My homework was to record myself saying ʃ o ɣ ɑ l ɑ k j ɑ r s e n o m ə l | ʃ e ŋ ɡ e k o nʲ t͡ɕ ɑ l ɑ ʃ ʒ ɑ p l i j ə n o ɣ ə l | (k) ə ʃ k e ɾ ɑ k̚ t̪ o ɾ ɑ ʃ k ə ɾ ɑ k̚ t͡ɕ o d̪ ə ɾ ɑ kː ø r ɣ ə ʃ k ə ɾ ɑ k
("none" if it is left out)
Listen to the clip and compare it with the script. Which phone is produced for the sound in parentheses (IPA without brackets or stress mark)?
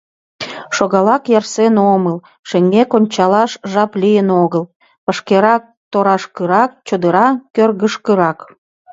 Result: p